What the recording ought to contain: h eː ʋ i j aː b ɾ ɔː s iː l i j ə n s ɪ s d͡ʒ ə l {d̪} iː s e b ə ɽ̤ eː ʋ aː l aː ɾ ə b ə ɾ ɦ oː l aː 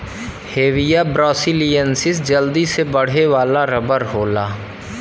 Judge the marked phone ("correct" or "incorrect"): correct